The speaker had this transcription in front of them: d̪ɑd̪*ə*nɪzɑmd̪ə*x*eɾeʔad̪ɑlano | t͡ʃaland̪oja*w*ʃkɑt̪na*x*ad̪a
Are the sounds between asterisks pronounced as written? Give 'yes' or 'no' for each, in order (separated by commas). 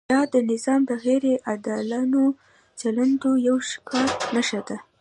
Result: yes, no, yes, no